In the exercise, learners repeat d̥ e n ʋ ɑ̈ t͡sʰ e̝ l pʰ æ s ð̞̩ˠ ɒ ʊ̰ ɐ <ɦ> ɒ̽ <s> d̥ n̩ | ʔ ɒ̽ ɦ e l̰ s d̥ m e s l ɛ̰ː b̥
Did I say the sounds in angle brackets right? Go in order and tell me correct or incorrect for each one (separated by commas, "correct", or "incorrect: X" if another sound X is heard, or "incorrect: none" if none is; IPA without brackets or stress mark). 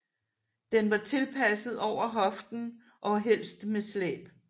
correct, incorrect: f